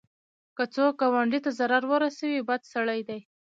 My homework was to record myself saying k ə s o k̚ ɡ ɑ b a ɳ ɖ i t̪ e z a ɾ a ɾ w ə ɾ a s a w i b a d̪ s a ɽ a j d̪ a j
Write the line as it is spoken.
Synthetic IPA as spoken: k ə t͡s o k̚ ɡ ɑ w a ɳ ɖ i t̪ a z a ɾ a ɾ w ə ɾ a s a w i b a d̪ s a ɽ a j d̪ a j